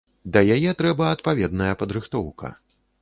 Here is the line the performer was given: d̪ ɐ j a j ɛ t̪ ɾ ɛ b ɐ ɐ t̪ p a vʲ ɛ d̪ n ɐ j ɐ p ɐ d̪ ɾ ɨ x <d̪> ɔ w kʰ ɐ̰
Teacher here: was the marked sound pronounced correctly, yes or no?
no